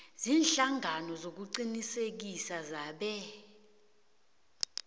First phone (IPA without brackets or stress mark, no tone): z